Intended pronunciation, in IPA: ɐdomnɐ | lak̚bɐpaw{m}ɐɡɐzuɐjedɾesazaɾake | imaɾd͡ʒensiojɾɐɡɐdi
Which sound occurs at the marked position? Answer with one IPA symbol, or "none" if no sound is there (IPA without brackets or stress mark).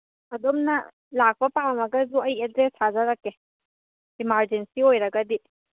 m